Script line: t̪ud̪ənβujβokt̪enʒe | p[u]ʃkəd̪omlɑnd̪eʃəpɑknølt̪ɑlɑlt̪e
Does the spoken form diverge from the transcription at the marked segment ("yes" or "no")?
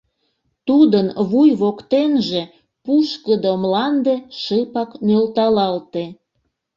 no